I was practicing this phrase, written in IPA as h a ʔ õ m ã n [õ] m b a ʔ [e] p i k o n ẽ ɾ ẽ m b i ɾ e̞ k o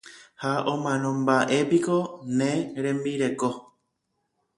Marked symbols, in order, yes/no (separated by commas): yes, yes